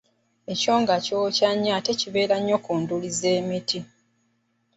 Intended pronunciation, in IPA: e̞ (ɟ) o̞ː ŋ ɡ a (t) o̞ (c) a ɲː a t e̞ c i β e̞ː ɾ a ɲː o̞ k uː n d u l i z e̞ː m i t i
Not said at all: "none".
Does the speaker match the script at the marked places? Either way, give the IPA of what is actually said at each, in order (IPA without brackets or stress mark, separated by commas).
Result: c, c, c